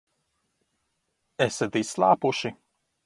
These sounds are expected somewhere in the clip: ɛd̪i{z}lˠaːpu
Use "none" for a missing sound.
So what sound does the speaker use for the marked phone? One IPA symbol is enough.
s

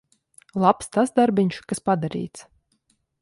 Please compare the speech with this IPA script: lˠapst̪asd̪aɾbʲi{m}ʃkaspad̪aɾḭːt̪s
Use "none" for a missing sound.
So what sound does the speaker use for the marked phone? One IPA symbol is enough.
ɲ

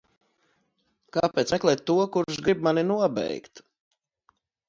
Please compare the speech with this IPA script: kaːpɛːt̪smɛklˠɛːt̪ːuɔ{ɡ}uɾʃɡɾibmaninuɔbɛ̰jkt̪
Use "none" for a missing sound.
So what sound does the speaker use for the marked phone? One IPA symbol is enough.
k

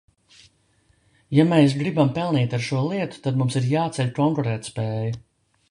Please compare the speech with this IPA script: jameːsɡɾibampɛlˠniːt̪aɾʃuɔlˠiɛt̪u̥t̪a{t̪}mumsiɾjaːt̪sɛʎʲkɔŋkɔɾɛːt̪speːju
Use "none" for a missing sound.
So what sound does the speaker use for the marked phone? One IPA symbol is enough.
d̪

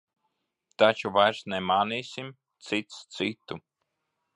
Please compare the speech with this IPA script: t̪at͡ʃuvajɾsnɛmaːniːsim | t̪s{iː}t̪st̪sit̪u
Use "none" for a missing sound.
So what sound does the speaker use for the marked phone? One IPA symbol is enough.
i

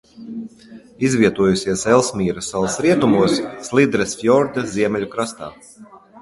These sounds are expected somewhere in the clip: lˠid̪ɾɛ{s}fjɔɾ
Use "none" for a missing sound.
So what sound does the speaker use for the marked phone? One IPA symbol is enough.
s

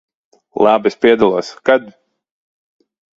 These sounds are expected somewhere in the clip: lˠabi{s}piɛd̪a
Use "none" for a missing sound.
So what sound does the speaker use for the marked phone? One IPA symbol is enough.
s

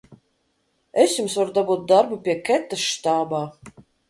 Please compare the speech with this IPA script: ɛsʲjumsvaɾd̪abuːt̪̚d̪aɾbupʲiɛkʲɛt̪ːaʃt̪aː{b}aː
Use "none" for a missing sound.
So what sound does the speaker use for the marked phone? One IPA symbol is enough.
b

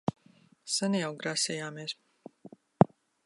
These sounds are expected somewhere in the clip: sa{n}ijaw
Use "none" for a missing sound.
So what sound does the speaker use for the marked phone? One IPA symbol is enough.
n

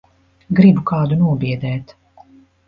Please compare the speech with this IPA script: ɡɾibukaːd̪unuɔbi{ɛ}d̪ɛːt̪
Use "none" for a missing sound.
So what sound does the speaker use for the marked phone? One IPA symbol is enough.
ɛ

